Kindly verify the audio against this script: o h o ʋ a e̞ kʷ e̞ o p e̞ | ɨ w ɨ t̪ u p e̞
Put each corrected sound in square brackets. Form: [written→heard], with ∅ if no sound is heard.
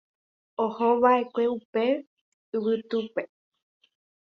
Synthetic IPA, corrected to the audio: o h o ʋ a e̞ kʷ e̞ [o→u] p e̞ | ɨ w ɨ t̪ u p e̞